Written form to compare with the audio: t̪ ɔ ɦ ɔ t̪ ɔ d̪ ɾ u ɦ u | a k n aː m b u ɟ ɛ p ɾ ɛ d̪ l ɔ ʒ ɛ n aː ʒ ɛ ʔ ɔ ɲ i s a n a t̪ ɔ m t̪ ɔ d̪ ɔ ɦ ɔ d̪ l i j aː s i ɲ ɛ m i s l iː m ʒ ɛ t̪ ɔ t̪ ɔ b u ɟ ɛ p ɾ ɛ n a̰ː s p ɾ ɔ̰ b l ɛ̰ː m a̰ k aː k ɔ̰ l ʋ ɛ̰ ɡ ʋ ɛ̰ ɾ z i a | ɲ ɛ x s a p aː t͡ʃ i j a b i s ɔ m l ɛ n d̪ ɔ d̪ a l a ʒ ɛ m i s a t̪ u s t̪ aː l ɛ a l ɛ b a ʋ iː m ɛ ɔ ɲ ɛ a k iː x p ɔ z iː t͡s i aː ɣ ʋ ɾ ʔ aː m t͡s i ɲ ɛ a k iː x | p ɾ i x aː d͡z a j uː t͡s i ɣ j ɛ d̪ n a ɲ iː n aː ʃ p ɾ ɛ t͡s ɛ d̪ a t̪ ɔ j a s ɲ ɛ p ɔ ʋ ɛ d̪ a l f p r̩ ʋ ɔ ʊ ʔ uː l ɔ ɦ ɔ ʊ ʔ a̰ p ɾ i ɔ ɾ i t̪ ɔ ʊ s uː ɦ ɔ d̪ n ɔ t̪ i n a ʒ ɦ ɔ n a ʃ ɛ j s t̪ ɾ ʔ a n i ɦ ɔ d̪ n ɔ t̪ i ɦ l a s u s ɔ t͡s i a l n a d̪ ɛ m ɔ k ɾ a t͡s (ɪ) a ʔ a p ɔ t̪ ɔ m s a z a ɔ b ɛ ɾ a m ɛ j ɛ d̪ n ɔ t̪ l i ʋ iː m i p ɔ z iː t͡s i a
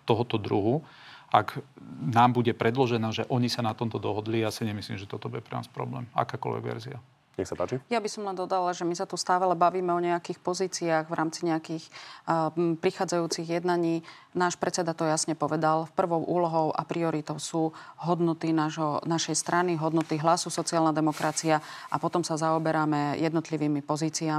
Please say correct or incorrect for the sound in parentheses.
incorrect